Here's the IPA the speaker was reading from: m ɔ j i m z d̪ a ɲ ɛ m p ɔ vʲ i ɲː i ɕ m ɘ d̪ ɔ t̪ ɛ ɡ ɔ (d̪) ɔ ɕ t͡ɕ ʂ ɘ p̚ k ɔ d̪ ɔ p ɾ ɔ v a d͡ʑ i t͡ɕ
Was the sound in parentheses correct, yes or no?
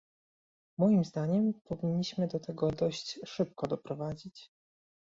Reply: yes